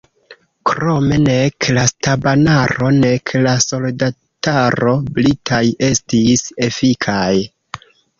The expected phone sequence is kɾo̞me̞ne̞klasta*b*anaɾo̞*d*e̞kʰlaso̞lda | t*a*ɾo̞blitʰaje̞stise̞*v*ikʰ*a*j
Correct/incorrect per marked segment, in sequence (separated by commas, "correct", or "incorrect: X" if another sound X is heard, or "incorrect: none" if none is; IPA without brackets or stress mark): correct, incorrect: n, correct, incorrect: f, correct